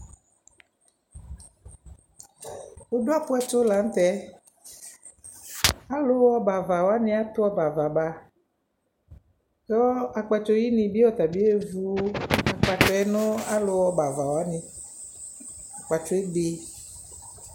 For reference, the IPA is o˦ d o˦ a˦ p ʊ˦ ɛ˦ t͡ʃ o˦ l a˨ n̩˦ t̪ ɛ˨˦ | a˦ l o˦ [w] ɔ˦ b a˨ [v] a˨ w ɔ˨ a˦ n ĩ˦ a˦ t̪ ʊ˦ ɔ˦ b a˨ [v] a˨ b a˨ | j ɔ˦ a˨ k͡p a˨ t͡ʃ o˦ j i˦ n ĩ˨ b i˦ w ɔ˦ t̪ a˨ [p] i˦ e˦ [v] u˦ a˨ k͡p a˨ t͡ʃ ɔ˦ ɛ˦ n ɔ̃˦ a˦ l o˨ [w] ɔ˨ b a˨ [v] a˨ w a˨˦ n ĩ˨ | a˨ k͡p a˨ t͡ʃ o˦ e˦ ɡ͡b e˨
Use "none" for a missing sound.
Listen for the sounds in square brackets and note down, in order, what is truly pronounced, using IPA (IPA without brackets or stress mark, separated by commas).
w, v, v, b, v, w, v